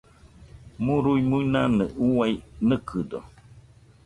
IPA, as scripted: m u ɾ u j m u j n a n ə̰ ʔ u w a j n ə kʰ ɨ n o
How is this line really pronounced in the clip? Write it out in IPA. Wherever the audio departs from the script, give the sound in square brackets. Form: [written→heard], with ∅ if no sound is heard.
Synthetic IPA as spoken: m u ɾ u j m u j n a n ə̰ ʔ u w a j n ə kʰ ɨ [n→d] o